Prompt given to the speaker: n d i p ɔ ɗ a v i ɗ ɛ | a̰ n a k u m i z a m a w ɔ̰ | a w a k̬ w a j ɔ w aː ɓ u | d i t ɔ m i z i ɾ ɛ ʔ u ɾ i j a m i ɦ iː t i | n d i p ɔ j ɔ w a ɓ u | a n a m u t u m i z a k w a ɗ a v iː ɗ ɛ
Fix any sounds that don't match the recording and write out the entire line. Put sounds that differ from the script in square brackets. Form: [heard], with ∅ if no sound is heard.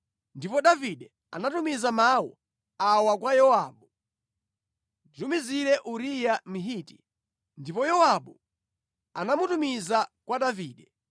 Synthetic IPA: n d i p ɔ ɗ a v i ɗ ɛ | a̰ n a [t] u m i z a m a w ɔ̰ | a w a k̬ w a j ɔ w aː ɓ u | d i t [u] m i z i ɾ ɛ ʔ u ɾ i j a m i ɦ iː t i | n d i p ɔ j ɔ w a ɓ u | a n a m u t u m i z a k w a ɗ a v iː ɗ ɛ